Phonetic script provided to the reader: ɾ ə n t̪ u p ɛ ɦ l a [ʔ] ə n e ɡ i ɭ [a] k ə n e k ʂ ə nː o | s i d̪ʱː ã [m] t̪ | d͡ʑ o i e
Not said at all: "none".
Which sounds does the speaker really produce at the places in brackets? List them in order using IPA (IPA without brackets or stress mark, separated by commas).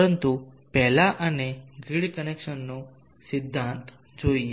ʔ, i, n